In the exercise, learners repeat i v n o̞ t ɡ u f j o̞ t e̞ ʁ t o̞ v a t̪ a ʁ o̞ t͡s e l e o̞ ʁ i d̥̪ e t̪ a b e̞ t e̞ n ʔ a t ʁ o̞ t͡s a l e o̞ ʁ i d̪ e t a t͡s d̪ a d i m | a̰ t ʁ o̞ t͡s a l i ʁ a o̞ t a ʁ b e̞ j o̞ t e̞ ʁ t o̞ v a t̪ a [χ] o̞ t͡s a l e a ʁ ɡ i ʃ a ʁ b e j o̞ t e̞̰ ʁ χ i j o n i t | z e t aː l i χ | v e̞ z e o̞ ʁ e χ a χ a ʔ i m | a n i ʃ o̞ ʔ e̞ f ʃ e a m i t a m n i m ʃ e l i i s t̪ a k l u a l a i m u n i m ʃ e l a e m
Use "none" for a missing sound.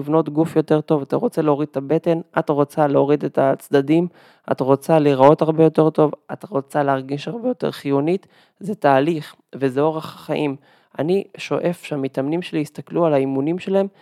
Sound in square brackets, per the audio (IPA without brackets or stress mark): ʁ